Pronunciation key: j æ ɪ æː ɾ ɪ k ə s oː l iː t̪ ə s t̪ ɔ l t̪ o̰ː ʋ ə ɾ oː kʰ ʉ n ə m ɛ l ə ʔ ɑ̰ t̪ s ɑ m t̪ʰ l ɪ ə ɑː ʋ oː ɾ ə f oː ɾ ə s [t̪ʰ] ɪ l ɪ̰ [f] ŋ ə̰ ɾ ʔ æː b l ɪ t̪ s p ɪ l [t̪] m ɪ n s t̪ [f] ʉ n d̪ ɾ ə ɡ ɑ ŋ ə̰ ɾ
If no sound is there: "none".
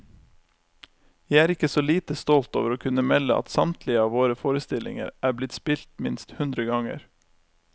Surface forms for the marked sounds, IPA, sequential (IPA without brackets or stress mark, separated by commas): t̪, none, t̪, h